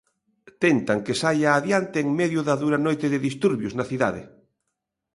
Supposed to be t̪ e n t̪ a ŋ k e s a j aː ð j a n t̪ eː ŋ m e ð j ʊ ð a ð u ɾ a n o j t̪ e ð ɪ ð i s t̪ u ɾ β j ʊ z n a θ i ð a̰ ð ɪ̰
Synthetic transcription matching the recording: t̪ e n t̪ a ŋ k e s a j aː ð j a n t̪ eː ŋ m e ð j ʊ ð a ð u ɾ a n o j t̪ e ð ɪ ð i s t̪ u ɾ β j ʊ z n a θ i ð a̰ ð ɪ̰